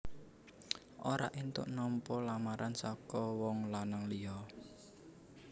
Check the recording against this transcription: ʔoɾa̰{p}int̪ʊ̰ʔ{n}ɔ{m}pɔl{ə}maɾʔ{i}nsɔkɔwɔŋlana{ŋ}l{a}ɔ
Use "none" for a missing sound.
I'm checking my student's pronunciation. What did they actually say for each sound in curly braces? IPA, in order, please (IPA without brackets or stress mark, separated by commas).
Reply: ʔ, n, m, a, a, ŋ, i